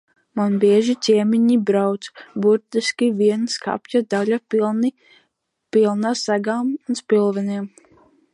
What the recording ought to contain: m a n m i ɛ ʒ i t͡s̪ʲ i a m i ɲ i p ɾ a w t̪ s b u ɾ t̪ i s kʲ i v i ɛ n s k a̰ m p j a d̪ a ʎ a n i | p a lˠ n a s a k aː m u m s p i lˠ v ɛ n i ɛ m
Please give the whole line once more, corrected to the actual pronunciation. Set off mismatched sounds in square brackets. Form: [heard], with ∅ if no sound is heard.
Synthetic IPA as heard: m a n [b] i ɛ ʒ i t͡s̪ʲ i [ɛ] m i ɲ i [b] ɾ a w t̪ s b u ɾ t̪ i s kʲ i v i ɛ n s k a̰ [∅] p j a d̪ a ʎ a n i | p [i] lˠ n a s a [ɡ] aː m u [n] s p i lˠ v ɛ n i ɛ m